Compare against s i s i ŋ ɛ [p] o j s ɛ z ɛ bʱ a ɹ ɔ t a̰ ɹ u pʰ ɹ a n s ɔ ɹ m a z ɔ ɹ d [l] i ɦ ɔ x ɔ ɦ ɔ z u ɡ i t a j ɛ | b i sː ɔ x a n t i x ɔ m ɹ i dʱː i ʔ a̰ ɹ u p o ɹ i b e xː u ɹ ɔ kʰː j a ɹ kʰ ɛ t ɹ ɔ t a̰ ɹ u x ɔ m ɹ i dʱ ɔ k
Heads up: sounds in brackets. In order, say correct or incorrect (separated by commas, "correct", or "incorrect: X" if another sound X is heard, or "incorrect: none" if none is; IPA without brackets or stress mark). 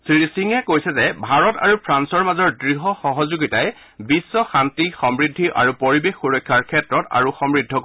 incorrect: k, incorrect: ɹ